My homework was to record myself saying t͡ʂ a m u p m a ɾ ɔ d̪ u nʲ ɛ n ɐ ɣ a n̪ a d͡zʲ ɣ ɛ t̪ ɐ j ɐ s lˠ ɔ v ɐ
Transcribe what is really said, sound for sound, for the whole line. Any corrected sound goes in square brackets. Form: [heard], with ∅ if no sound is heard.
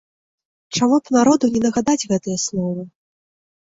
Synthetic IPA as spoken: t͡ʂ a m u p [n] a ɾ ɔ d̪ u nʲ ɛ n ɐ ɣ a [d̪] a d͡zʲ ɣ ɛ t̪ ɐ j ɐ s lˠ ɔ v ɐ